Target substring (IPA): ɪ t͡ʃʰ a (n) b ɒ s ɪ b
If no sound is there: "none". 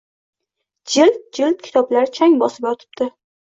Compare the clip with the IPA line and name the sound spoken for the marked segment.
ŋ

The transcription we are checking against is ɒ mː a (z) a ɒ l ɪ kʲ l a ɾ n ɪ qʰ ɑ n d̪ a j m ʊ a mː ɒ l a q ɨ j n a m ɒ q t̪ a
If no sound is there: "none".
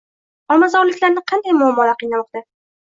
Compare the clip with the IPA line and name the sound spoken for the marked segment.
z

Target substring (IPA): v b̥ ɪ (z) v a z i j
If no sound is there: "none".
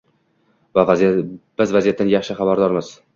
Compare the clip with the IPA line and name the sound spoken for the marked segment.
z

